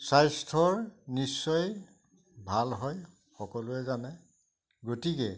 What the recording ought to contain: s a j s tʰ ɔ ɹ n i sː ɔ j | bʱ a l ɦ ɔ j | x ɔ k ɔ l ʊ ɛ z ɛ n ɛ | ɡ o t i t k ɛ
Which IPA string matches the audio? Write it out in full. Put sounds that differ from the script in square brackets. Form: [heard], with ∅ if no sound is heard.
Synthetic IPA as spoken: s a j s tʰ ɔ ɹ n i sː ɔ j | bʱ a l ɦ ɔ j | x ɔ k ɔ l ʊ ɛ z [a] n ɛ | ɡ o t i [∅] k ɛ